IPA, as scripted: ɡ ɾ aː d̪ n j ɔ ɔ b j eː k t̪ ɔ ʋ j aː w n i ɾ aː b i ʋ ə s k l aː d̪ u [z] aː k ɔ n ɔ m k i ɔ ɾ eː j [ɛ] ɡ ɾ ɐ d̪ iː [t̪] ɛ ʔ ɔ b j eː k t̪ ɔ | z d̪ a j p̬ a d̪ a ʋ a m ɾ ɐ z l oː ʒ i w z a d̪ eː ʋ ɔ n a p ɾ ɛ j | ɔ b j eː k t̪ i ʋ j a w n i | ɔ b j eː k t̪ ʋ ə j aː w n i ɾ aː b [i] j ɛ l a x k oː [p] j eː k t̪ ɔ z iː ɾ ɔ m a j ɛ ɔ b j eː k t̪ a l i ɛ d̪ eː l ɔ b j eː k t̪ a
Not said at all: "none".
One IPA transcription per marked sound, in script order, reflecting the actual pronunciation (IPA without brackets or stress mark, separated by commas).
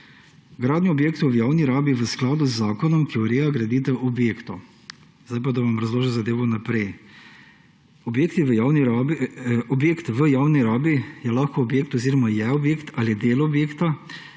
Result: zː, a, t̪, i, b